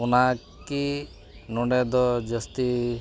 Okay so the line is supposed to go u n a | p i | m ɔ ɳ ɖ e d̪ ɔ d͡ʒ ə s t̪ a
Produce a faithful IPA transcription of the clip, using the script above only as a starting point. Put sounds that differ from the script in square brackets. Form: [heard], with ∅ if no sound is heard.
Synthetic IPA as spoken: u n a | [k] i | [n] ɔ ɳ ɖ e d̪ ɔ d͡ʒ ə s t̪ [i]